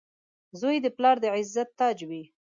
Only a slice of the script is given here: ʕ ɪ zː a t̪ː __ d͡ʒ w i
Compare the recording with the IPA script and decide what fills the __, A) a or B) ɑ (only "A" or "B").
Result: B